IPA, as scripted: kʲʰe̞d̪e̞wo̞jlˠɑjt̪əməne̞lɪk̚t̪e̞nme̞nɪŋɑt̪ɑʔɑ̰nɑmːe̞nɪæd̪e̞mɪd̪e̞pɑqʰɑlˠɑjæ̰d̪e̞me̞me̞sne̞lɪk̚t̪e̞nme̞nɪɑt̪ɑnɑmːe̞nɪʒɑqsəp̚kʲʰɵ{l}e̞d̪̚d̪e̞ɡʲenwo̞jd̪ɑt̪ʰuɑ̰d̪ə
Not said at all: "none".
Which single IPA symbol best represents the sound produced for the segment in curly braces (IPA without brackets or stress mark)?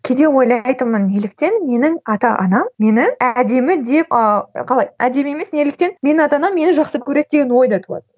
ɾ